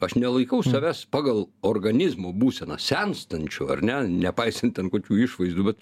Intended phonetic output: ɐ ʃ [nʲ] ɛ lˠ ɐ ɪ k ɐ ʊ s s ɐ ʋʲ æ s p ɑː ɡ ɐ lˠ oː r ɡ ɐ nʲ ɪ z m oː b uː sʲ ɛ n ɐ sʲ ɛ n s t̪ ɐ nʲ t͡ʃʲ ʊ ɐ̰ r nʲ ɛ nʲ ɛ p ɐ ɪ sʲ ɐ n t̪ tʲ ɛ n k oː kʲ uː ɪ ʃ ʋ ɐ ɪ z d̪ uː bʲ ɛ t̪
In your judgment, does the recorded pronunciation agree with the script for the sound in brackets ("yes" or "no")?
yes